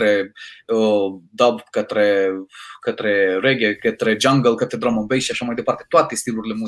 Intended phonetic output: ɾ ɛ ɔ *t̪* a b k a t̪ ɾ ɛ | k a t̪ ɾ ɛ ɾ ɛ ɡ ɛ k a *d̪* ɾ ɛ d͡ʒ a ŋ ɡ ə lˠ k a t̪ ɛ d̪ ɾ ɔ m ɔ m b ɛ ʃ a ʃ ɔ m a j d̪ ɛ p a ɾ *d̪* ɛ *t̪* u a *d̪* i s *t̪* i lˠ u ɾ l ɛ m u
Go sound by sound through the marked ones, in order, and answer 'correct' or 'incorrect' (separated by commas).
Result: incorrect, incorrect, incorrect, correct, incorrect, correct